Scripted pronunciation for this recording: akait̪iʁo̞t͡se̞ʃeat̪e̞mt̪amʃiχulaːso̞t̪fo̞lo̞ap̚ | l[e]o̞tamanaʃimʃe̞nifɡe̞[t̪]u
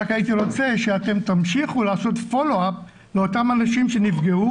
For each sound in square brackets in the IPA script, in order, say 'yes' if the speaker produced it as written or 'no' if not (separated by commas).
yes, no